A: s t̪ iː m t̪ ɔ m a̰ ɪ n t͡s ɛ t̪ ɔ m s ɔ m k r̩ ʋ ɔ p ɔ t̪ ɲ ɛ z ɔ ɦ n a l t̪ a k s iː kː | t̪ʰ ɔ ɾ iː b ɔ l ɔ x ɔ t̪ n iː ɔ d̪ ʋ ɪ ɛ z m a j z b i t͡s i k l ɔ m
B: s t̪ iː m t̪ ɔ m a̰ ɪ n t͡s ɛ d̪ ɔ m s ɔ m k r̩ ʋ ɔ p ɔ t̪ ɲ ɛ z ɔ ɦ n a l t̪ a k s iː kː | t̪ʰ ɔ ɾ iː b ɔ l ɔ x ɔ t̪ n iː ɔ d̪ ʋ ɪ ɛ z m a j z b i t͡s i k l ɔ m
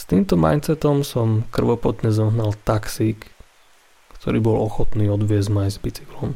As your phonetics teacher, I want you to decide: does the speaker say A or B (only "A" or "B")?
A